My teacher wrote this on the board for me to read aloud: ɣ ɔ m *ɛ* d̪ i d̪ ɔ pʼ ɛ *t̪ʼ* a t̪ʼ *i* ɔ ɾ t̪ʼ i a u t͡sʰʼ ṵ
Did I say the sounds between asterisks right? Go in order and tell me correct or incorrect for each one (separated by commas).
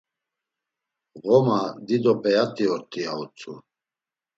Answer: incorrect, incorrect, correct